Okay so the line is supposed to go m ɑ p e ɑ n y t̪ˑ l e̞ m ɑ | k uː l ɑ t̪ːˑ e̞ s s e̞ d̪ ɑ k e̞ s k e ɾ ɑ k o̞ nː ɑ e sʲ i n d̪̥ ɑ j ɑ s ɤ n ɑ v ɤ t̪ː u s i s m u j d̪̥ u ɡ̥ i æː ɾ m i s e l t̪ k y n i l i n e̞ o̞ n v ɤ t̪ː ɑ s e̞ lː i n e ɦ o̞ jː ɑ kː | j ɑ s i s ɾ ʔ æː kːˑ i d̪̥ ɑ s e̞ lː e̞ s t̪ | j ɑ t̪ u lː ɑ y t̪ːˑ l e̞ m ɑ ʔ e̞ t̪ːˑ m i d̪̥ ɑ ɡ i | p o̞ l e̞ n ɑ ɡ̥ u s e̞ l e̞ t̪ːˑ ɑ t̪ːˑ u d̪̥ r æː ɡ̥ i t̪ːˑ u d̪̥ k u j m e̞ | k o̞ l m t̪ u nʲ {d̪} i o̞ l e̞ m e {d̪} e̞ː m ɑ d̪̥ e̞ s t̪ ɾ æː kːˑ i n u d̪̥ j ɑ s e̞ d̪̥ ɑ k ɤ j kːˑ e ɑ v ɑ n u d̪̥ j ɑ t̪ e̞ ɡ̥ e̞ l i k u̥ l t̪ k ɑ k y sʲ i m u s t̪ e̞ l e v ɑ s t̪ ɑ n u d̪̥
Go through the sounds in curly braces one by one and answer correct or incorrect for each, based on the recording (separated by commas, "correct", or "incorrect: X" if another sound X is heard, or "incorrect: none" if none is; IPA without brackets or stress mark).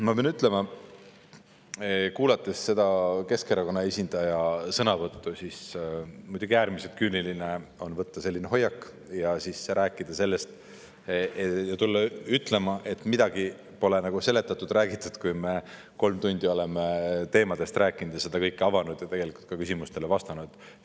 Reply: correct, incorrect: t̪